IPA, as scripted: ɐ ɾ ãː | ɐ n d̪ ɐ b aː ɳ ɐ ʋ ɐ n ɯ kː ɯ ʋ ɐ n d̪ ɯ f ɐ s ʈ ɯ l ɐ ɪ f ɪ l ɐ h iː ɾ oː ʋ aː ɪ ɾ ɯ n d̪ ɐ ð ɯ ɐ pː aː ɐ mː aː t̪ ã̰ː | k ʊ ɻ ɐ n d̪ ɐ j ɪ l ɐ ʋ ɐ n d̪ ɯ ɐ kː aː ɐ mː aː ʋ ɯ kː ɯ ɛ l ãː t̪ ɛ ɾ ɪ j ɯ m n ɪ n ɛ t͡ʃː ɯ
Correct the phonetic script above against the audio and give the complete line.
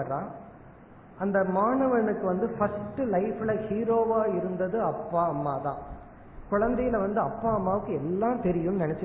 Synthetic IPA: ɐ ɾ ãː | ɐ n d̪ ɐ m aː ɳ ɐ ʋ ɐ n ɯ kː ɯ ʋ ɐ n d̪ ɯ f ɐ s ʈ ɯ l ɐ ɪ f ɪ l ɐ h iː ɾ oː ʋ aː ɪ ɾ ɯ n d̪ ɐ ð ɯ ɐ pː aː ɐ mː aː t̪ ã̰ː | k ʊ ɻ ɐ n d̪ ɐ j ɪ l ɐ ʋ ɐ n d̪ ɯ ɐ pː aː ɐ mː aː ʋ ɯ kː ɯ ɛ lː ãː t̪ ɛ ɾ ɪ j ɯ m n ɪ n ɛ t͡ʃː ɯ